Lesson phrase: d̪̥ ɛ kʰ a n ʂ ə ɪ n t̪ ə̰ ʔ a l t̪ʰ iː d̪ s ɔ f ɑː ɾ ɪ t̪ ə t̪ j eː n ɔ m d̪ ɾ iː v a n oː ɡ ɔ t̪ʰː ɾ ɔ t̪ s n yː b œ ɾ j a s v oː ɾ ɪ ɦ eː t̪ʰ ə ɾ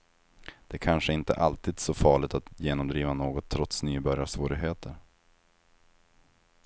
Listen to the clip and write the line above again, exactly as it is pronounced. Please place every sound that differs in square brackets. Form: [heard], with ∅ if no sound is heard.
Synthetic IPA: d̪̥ ɛ kʰ a n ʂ ə ɪ n t̪ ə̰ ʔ a l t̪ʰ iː d̪ s ɔ f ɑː [ɭ] ɪ t̪ [a] t̪ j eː n ɔ m d̪ ɾ iː v a n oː ɡ ɔ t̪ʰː ɾ ɔ t̪ s n yː b œ ɾ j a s v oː ɾ ɪ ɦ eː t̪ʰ ə ɾ